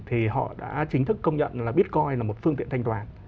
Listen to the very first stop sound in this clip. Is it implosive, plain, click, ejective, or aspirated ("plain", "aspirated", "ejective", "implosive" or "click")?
aspirated